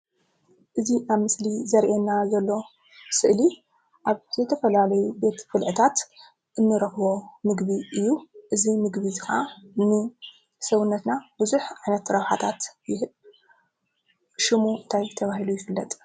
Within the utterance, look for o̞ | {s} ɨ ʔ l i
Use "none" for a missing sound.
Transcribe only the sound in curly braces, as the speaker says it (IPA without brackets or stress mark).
s